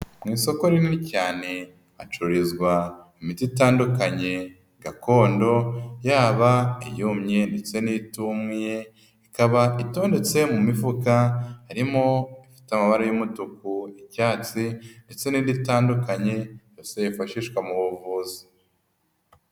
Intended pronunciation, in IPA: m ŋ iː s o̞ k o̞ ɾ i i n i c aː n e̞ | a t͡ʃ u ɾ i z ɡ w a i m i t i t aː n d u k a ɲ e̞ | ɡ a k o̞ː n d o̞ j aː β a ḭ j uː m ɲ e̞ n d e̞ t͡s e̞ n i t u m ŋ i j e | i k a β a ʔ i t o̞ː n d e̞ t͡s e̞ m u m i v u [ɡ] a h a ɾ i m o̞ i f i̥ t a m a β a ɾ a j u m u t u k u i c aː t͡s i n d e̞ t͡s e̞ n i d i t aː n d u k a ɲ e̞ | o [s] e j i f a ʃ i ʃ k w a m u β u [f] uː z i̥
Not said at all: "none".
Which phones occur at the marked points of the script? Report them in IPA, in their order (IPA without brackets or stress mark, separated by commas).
k, s, v